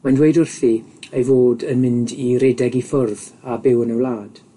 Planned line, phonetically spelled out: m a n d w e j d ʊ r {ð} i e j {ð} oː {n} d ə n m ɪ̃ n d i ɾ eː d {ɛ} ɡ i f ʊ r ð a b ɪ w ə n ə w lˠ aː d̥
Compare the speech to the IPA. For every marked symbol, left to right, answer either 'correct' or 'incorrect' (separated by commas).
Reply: incorrect, incorrect, incorrect, correct